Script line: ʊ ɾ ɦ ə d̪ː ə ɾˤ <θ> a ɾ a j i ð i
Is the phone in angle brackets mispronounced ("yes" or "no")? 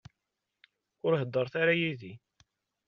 no